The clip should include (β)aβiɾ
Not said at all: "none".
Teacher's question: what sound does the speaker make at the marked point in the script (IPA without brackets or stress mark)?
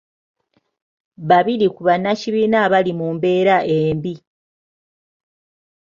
β